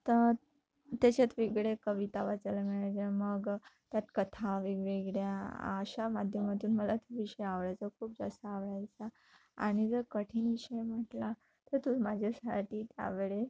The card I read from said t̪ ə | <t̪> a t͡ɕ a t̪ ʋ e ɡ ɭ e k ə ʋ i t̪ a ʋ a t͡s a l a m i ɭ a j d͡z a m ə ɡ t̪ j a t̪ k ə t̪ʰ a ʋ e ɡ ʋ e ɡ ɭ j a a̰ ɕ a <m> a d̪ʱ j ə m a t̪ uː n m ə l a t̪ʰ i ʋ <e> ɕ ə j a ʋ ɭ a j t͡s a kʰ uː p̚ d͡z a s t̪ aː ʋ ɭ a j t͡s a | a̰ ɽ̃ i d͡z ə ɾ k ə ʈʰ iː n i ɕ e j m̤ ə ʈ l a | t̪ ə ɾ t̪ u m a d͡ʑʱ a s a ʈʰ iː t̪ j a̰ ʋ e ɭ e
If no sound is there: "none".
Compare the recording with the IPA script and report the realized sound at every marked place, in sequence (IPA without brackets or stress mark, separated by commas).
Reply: t̪, m, i